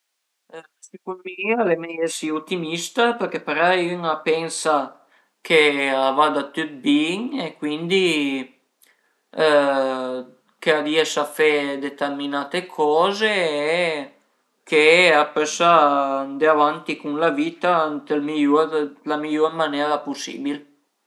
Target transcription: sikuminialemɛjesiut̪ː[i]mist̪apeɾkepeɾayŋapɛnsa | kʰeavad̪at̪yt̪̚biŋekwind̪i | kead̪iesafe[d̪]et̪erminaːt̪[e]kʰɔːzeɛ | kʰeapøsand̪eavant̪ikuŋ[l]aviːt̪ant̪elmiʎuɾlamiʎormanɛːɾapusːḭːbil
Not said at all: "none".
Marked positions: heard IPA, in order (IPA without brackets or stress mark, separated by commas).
i, d̪, e, l